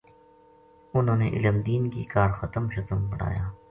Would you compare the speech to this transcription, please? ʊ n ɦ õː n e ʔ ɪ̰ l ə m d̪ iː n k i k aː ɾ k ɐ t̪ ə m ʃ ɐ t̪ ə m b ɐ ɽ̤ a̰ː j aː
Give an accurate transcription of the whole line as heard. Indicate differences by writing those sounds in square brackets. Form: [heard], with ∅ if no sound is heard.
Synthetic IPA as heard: ʊ n ɦ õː n e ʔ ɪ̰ l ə m d̪ iː n k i k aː ɾ [x] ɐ t̪ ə m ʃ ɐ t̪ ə m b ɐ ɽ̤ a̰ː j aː